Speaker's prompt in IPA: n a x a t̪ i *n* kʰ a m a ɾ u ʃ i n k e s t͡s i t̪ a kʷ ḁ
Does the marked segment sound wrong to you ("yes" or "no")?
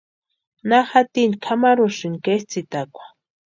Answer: no